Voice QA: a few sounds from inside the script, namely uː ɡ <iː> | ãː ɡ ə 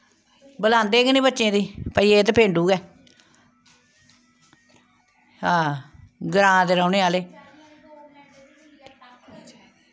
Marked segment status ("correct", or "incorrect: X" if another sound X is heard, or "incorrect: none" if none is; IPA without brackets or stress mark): incorrect: ɛː